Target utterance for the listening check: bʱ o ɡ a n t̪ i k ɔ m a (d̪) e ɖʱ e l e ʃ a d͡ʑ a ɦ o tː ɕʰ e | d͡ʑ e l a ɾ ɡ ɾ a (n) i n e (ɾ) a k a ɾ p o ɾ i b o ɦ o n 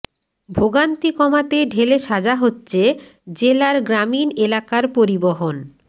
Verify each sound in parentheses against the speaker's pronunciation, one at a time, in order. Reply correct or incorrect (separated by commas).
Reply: incorrect, incorrect, incorrect